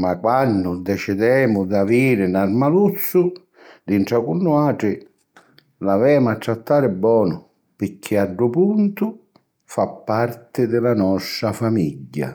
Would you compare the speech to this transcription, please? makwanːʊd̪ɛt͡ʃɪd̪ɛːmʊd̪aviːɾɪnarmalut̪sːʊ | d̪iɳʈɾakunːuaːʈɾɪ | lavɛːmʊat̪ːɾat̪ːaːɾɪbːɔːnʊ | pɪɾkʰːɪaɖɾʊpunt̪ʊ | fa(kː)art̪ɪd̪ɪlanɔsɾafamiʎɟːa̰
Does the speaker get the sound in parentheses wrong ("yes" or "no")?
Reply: yes